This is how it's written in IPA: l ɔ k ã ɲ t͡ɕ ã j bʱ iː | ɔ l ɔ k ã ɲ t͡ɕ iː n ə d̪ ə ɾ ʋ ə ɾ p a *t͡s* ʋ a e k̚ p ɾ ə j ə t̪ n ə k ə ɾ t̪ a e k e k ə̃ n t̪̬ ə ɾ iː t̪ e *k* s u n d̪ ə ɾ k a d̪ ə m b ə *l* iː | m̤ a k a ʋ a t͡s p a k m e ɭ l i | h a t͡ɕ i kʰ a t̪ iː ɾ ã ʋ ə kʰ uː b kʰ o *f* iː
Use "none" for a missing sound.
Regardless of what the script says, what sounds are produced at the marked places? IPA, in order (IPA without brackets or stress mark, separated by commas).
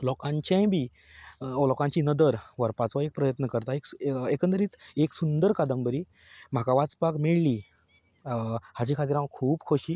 t͡s, k, ɾ, ɕ